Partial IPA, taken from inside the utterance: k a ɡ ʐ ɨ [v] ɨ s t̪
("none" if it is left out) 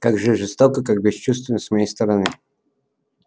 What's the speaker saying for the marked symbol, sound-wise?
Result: ʐ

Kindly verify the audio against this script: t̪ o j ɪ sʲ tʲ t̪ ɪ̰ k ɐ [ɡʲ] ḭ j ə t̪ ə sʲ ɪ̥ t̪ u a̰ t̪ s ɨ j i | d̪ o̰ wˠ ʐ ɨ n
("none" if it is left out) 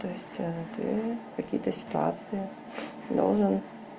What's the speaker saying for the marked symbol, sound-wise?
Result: kʲ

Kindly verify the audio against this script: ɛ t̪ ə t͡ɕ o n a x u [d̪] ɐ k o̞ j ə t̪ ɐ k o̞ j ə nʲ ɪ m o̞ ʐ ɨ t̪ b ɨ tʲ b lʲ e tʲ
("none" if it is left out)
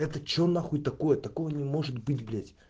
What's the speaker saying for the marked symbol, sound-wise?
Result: t̪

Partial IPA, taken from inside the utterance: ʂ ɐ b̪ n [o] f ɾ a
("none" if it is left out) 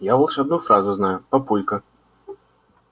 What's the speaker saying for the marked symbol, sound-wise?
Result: u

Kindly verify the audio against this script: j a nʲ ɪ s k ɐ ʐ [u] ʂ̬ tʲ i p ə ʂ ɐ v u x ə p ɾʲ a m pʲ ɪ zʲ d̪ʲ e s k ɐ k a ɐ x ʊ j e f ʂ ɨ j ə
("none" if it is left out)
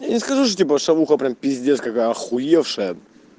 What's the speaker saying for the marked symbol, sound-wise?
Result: u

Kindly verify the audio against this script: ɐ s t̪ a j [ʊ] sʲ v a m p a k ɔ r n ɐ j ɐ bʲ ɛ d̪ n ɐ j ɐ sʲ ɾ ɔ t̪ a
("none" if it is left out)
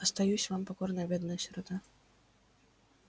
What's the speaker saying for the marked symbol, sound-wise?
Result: u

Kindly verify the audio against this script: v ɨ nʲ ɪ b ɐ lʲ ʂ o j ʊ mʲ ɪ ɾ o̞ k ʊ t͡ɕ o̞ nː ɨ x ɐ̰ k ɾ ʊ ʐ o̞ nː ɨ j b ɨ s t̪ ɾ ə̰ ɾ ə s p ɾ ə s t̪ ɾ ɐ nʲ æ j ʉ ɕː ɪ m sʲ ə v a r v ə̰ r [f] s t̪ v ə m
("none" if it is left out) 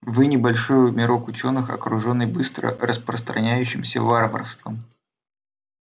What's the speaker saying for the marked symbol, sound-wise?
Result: f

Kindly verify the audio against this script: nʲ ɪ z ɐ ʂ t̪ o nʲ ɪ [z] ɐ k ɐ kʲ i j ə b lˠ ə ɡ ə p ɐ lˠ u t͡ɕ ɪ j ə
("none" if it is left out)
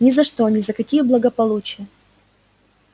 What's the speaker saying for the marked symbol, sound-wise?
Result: z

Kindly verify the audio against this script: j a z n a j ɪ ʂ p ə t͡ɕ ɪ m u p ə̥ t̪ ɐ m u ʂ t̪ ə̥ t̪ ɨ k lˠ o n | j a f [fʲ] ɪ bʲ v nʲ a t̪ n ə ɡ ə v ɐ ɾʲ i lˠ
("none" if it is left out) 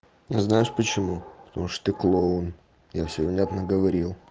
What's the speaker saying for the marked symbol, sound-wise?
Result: sʲ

